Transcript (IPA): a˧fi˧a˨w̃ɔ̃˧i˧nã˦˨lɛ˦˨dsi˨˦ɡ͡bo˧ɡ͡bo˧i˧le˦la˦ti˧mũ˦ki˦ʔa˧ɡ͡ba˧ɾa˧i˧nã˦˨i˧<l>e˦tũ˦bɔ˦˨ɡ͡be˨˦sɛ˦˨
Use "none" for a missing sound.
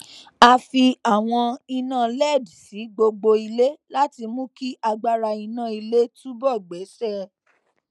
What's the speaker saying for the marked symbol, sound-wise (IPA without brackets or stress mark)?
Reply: l